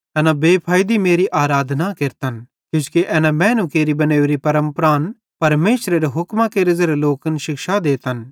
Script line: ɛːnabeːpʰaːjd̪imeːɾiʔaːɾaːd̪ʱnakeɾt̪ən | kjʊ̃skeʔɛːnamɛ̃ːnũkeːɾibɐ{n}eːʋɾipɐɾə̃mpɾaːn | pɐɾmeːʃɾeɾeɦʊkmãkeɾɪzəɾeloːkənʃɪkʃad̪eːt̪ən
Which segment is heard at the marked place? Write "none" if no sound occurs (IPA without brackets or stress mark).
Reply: n